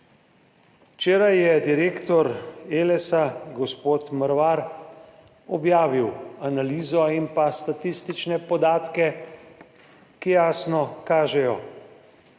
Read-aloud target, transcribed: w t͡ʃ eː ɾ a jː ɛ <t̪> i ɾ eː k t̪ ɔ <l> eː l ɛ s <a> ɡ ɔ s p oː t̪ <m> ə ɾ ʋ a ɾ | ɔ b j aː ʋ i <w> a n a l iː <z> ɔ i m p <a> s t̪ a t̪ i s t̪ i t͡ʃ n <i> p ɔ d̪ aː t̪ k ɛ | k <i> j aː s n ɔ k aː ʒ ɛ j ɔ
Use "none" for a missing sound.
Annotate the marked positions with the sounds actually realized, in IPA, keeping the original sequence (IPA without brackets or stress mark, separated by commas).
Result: d̪, ɾ, a, m, w, z, a, ɛ, i